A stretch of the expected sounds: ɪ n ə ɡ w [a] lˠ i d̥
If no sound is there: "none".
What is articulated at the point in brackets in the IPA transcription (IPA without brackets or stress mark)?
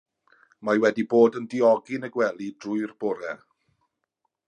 ɛ